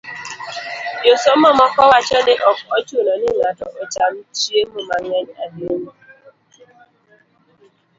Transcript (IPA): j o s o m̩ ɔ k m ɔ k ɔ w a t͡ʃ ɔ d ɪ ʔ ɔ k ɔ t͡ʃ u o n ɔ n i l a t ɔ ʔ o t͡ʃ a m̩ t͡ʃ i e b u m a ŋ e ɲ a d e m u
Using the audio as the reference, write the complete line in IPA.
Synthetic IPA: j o s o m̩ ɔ m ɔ k ɔ w a t͡ʃ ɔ d ɪ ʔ ɔ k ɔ t͡ʃ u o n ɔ n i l a t ɔ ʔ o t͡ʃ a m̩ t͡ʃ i e m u m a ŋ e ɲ a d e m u

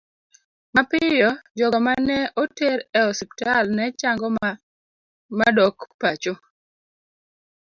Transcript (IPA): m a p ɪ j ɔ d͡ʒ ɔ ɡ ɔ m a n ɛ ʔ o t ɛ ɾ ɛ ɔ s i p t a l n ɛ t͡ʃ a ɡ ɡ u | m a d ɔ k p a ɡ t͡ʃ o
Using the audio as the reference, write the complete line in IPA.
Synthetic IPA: m a p ɪ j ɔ d͡ʒ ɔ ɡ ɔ m a n ɛ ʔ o t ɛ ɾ ɛ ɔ s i p t a l n ɛ t͡ʃ a ŋ ɡ ɔ | m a d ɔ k p a t͡ʃ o

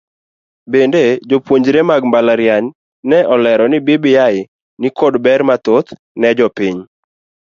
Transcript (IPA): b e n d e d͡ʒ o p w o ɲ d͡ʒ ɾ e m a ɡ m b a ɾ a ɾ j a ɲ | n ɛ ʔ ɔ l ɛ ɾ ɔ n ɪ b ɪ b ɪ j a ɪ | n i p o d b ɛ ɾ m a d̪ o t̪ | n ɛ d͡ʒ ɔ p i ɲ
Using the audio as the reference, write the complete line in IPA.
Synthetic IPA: b e n d e d͡ʒ o p w o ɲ d͡ʒ ɾ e m a ɡ m b a l a ɾ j a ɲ | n ɛ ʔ ɔ l ɛ ɾ ɔ n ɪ b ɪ b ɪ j a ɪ | n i k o d b ɛ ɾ m a t̪ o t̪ | n ɛ d͡ʒ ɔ p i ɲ

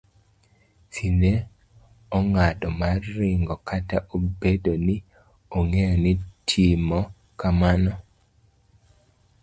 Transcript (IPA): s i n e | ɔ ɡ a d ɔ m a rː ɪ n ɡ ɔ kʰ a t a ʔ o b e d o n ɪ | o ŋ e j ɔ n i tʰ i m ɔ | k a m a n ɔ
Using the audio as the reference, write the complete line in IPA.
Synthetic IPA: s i n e | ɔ ŋ a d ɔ m a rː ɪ ŋ ɡ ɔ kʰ a t a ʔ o b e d o n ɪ | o ŋ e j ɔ n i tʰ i m ɔ | k a m a n ɔ

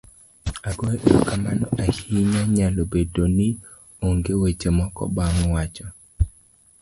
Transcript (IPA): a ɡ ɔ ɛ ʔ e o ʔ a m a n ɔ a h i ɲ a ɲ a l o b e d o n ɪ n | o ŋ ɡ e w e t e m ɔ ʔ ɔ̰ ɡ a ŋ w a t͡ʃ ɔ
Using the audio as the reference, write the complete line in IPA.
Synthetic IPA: a ɡ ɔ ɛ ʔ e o k a m a n ɔ a h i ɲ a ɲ a l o b e d o n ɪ | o ŋ ɡ e w e t͡ʃ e m ɔ k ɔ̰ b a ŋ w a t͡ʃ ɔ

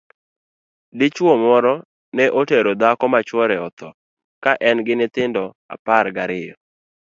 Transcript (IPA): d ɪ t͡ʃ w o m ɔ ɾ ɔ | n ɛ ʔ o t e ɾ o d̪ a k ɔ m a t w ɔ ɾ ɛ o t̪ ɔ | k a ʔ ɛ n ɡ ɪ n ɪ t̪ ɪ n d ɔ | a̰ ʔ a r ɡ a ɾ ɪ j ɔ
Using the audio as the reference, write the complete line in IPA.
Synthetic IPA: d ɪ t͡ʃ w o m ɔ ɾ ɔ | n ɛ ʔ o t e ɾ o d̪ a k ɔ m a t͡ʃ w ɔ ɾ ɛ ɔ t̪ ɔ | k a ʔ ɛ n ɡ ɪ n ɪ t̪ ɪ n d ɔ | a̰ p a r ɡ a ɾ ɪ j ɔ

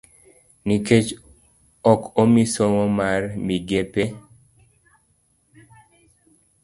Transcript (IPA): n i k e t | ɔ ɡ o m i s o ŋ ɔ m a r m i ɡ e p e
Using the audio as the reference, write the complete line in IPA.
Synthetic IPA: n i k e t͡ʃ | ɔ k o m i s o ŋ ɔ m a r m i ɡ e p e

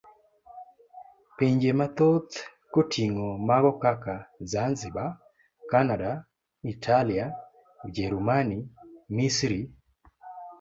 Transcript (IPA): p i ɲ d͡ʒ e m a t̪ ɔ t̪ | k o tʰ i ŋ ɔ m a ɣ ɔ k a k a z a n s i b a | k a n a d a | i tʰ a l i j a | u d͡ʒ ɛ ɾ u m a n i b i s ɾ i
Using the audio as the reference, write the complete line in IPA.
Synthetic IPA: p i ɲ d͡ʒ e m a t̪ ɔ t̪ | k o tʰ i ŋ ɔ m a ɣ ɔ k a k a z a n z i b a | k a n a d a | i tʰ a l i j a | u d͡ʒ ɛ ɾ u m a n i m i s ɾ i

